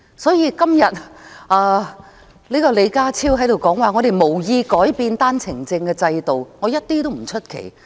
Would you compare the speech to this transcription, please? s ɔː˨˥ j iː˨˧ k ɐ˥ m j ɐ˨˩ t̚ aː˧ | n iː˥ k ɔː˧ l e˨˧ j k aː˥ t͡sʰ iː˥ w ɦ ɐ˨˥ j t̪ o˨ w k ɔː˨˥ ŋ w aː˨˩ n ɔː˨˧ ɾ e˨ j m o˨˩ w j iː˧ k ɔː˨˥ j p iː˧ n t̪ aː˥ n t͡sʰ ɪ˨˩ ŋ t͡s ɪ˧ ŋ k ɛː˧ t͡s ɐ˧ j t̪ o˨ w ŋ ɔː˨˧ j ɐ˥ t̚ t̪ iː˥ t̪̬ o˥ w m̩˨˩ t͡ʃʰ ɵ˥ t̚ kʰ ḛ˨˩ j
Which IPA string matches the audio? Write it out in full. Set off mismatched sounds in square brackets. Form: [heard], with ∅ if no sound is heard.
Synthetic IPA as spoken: s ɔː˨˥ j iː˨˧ k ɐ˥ m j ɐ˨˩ t̚ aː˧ | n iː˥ k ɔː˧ l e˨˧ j k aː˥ t͡sʰ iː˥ w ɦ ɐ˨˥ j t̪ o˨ w k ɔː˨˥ ŋ w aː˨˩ [ŋ] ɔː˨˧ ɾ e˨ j m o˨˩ w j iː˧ k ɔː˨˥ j p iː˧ n t̪ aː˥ n t͡sʰ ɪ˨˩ ŋ t͡s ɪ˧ ŋ k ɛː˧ t͡s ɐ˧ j t̪ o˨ w ŋ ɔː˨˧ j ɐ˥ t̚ t̪ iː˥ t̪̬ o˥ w m̩˨˩ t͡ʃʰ ɵ˥ t̚ kʰ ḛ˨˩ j